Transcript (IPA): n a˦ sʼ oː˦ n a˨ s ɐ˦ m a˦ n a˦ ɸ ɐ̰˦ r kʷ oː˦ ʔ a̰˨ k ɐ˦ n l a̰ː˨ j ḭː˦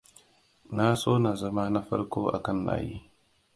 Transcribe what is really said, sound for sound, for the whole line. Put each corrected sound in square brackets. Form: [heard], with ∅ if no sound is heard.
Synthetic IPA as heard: n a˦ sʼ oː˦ n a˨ [z] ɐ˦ m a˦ n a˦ ɸ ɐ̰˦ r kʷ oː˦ ʔ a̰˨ k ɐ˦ n l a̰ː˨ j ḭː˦